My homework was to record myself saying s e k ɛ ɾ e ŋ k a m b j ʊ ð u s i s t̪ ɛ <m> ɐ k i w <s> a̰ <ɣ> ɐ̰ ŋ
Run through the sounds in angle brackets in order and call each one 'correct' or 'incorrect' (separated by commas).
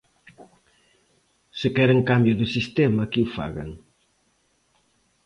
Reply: correct, incorrect, correct